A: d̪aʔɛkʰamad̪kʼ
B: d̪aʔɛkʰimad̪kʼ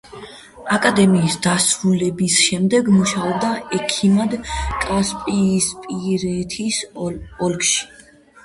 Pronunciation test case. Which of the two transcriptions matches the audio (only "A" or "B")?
B